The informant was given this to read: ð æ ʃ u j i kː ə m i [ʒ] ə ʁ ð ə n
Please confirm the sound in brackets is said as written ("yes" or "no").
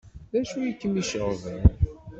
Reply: no